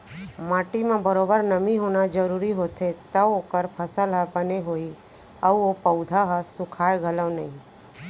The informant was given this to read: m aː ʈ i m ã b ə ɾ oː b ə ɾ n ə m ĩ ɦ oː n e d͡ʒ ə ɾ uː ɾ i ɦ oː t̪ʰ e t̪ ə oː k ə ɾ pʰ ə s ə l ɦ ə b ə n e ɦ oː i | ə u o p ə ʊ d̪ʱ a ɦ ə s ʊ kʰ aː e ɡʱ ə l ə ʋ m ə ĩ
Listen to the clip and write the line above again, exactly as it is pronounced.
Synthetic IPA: m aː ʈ i m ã b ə ɾ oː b ə ɾ n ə m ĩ ɦ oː n a d͡ʒ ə ɾ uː ɾ i ɦ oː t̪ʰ e t̪ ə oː k ə ɾ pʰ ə s ə l ɦ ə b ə n e ɦ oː i | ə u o p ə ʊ d̪ʱ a ɦ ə s ʊ kʰ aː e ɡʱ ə l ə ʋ n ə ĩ